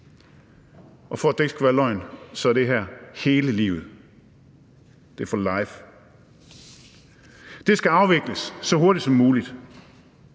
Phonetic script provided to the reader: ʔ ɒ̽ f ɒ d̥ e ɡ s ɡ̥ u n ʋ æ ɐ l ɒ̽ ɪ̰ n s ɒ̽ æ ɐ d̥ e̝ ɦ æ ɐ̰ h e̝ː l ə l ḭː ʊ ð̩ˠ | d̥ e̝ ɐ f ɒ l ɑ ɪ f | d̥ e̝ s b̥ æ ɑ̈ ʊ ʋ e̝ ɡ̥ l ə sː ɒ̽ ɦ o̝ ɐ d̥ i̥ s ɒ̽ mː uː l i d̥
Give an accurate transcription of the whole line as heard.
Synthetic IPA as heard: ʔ ɒ̽ f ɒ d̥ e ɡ s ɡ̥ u ʋ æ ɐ l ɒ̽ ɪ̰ n s ɒ̽ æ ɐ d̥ e̝ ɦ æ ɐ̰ h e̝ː l ə l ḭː ʊ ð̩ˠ | d̥ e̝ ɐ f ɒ l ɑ ɪ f | d̥ e̝ s ɡ̥ æ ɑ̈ ʊ ʋ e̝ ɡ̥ l ə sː ɒ̽ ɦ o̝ ɐ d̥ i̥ s ɒ̽ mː uː l i d̥